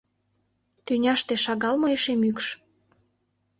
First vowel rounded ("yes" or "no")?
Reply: yes